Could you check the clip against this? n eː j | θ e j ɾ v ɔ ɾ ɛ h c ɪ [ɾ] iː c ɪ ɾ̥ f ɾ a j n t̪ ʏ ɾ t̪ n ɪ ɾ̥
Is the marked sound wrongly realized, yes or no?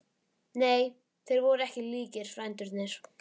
yes